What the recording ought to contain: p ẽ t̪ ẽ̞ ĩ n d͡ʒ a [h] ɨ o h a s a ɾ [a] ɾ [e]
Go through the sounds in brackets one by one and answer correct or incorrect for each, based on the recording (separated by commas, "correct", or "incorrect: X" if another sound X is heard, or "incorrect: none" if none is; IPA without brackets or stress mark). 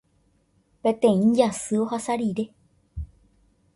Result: incorrect: s, incorrect: i, correct